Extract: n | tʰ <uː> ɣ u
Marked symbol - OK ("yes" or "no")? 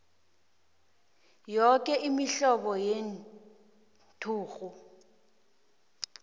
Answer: yes